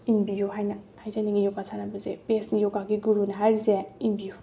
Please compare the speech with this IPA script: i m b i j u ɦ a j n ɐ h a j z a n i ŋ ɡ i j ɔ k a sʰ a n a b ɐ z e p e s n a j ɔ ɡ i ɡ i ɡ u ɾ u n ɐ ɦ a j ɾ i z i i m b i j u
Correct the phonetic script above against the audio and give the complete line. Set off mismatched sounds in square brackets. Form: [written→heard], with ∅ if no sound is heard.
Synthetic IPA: i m b i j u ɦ a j n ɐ h a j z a n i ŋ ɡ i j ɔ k a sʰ a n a b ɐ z e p e s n [a→i] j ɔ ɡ [i→a] ɡ i ɡ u ɾ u n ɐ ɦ a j ɾ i z [i→e] i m b i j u